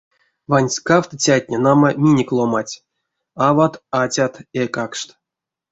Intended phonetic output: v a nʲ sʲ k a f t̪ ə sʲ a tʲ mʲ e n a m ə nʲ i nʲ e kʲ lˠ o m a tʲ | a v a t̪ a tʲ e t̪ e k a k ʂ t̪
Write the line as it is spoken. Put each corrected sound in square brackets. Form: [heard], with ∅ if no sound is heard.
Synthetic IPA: v a nʲ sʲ k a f t̪ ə [t͡sʲ] a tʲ [nʲ] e n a m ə [mʲ] i nʲ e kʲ lˠ o m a tʲ | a v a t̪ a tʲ [a] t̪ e k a k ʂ t̪